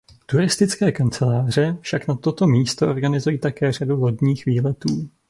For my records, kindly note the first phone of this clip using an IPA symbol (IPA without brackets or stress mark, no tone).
t̪